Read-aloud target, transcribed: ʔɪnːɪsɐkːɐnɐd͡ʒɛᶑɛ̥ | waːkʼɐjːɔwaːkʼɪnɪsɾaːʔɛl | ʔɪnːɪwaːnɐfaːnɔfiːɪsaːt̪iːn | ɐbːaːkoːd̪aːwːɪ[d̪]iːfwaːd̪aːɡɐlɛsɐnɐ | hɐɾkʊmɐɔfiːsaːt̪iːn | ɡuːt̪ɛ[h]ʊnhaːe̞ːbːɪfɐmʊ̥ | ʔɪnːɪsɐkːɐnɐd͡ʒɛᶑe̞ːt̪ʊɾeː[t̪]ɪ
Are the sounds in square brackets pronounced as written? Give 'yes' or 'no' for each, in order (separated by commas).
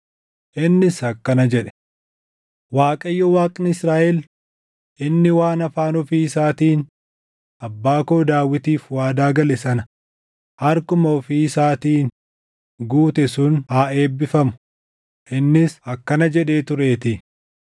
no, no, yes